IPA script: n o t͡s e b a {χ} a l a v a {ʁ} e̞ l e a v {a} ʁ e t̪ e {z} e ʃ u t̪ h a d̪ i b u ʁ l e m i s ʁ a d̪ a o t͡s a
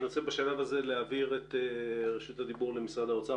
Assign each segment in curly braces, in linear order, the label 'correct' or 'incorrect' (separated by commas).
incorrect, incorrect, incorrect, incorrect